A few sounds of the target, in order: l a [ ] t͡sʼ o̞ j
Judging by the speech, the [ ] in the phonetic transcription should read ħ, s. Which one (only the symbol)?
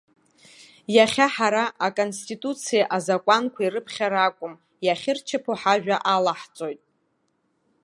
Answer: ħ